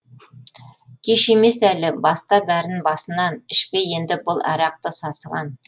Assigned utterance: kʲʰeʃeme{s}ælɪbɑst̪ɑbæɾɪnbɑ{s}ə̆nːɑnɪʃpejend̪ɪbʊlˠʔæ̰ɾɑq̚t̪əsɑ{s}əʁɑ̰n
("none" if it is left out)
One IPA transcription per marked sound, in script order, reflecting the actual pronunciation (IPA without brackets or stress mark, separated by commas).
s, s, s